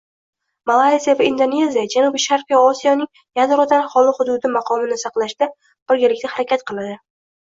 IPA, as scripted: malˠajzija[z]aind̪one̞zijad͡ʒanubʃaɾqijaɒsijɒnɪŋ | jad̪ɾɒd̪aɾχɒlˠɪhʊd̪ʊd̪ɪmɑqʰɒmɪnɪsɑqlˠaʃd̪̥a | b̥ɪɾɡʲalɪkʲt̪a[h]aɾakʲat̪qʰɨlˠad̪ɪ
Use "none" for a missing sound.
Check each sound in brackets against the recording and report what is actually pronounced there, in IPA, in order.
v, h

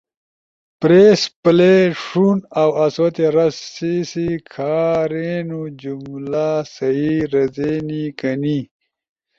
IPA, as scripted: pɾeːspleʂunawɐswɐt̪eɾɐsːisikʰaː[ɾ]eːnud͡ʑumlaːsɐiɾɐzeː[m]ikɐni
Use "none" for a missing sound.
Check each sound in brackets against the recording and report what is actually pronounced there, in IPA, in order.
ɾ, n

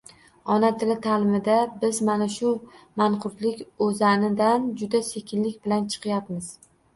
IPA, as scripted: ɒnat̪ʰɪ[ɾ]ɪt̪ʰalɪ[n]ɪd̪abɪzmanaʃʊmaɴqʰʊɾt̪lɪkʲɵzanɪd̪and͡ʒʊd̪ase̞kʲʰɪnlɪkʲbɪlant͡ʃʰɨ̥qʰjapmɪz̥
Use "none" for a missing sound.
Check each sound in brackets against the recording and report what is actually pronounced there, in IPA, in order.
l, m

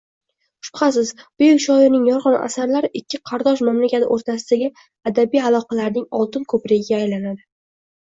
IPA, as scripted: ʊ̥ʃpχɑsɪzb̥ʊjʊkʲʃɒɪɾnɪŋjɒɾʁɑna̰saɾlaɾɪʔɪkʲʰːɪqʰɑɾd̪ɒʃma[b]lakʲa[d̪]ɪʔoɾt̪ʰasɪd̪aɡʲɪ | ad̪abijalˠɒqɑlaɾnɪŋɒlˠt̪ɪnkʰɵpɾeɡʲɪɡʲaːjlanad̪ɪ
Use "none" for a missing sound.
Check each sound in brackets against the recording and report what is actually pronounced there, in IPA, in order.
m, t̪

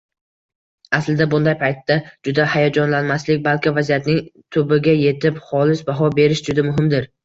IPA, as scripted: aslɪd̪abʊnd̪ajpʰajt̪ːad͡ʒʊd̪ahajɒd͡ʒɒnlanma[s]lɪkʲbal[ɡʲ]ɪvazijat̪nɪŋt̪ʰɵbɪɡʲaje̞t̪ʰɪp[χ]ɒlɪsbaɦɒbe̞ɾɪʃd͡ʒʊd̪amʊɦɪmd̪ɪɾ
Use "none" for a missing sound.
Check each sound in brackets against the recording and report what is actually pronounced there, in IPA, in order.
s, kʲ, χ

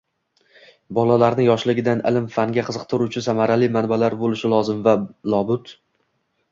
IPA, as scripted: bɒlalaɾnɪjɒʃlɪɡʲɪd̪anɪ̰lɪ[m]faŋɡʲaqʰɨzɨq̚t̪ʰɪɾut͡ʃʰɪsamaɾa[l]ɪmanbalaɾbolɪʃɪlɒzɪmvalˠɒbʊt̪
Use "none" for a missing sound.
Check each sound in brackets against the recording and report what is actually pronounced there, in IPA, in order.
m, l

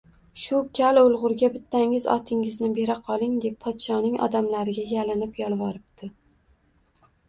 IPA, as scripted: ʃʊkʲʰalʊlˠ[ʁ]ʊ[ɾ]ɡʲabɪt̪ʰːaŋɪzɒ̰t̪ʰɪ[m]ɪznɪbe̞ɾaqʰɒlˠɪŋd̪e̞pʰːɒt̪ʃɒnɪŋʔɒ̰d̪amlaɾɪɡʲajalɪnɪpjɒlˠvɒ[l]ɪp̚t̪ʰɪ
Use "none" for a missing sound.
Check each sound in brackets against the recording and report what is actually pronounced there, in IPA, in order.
ʁ, ɾ, ŋ, ɾ

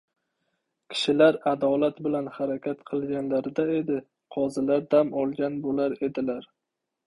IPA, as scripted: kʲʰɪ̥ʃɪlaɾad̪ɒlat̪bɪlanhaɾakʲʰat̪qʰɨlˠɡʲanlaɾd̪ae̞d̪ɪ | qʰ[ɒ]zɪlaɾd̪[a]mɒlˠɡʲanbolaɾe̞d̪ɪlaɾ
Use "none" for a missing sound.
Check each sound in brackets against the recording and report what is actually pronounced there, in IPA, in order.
ɒ, a

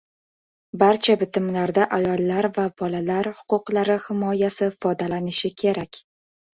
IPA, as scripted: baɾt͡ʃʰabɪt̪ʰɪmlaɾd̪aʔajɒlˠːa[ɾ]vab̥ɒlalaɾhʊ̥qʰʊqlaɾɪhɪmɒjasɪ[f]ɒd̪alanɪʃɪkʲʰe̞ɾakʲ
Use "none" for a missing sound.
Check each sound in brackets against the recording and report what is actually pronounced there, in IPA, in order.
ɾ, f

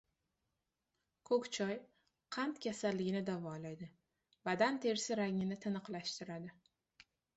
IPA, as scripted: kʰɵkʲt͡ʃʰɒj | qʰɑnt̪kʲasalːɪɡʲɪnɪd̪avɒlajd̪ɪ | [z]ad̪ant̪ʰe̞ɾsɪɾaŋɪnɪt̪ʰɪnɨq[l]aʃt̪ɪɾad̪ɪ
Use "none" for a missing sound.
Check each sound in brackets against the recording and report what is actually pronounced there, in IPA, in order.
v, l

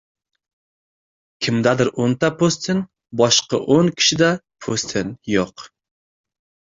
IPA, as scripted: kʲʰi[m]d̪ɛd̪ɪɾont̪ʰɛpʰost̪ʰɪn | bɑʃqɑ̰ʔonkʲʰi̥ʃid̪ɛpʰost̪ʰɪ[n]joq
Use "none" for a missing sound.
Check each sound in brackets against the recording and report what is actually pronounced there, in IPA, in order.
m, n

